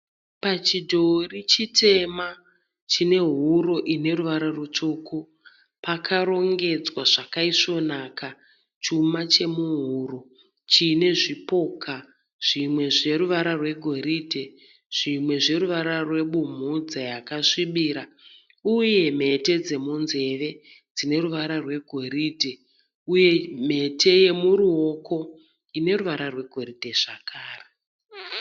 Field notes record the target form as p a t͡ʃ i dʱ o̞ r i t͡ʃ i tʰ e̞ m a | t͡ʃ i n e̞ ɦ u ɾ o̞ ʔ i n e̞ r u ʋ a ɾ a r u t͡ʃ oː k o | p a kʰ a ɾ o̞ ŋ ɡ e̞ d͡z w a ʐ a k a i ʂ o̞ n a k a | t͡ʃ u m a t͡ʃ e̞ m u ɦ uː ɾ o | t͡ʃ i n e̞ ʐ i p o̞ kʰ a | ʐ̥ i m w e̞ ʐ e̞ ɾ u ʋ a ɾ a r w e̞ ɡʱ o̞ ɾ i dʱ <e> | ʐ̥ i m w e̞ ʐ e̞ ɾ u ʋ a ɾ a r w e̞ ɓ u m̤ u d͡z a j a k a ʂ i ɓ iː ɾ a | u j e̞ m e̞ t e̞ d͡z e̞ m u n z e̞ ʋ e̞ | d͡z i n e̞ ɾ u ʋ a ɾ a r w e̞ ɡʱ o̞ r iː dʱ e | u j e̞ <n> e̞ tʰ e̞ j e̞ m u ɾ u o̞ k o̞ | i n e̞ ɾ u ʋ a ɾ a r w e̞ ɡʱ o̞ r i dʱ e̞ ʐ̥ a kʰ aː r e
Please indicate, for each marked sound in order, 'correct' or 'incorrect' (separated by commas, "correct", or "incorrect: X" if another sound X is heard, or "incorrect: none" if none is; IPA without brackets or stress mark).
correct, incorrect: m